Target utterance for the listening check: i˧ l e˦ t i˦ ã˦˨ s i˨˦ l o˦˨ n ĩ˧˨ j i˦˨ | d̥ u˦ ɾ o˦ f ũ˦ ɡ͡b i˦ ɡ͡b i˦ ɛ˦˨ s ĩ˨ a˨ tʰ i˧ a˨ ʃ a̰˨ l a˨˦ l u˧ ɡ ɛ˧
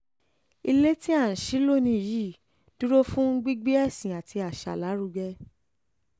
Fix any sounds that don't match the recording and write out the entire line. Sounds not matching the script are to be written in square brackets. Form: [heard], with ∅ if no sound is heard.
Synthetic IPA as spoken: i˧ l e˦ t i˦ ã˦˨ [ʃ] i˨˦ l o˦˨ n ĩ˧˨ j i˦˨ | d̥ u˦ ɾ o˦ f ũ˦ ɡ͡b i˦ ɡ͡b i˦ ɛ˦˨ s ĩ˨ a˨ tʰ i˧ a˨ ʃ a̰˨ l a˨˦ [ɾ] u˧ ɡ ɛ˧